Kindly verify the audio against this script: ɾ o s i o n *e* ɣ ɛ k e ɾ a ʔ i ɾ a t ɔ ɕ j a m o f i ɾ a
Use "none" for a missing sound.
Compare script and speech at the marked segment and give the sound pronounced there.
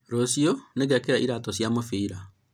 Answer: e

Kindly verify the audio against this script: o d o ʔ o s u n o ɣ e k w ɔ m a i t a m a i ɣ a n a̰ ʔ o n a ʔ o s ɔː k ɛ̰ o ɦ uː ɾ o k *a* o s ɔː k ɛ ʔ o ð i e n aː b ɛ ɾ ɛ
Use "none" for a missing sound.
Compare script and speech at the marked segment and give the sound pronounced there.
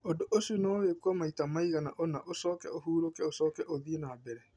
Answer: ɛ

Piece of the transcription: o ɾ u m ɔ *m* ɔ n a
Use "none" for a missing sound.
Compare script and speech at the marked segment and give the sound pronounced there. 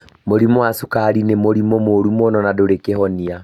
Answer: n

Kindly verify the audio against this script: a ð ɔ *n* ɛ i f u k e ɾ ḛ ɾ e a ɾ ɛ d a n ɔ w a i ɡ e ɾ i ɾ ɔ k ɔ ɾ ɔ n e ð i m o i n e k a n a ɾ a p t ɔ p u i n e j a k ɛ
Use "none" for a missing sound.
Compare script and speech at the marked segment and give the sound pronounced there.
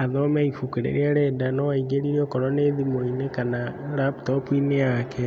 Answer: m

